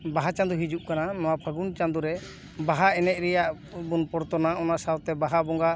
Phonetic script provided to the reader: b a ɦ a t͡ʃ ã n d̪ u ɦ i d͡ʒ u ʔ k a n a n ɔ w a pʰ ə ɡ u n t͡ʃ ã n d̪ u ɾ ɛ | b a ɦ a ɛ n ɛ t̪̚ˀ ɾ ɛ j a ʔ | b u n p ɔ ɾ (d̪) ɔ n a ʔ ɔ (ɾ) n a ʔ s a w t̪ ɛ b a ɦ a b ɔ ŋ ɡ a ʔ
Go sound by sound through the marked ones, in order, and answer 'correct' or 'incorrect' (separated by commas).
incorrect, incorrect